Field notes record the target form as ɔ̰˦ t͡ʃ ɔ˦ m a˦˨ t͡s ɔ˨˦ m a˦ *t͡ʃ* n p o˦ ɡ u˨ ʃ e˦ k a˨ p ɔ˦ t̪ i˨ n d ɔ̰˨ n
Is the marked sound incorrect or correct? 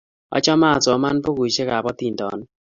incorrect